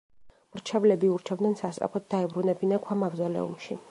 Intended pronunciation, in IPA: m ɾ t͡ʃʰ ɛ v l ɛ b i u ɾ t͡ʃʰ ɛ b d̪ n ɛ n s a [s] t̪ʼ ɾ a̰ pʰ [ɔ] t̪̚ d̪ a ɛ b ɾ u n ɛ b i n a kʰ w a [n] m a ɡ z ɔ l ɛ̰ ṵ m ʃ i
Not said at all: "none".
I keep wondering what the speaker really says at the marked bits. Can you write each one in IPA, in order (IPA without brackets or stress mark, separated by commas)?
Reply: s, ɔ, none